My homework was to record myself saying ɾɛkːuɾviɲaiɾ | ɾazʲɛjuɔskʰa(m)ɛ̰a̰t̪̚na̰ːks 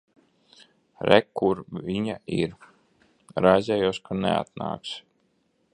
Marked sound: incorrect: n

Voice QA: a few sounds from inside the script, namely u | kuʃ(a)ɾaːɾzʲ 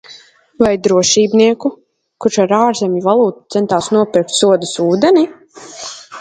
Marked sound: correct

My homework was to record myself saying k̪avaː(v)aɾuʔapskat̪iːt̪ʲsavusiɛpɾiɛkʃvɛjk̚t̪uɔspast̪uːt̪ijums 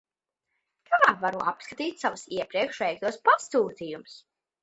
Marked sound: correct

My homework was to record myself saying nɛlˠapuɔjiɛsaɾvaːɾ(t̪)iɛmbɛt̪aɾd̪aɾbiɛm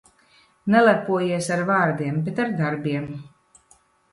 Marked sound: incorrect: d̪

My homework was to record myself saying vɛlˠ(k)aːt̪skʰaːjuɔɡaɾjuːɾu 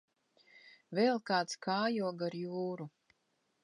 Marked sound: correct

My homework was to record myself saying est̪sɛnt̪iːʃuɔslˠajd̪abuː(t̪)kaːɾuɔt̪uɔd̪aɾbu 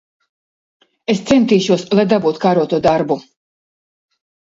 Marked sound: correct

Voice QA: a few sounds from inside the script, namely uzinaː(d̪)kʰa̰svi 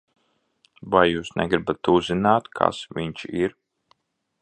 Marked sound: incorrect: t̪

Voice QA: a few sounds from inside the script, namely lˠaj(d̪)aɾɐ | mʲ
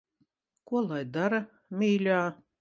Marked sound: correct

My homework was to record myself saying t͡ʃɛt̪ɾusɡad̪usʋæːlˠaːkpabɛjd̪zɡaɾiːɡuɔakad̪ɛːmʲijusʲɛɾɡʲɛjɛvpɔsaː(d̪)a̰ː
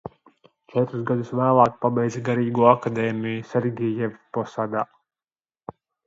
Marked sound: correct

